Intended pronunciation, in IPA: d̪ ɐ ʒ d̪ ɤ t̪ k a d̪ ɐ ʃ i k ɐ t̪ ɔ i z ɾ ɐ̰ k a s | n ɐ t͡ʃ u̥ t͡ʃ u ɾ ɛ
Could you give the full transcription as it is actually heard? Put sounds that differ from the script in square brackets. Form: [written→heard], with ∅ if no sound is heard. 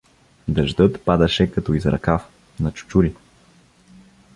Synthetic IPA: d̪ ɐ ʒ d̪ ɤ t̪ [k→p] a d̪ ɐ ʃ [i→ɛ] k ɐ t̪ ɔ i z ɾ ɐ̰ k a [s→f] | n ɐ t͡ʃ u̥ t͡ʃ u ɾ [ɛ→i]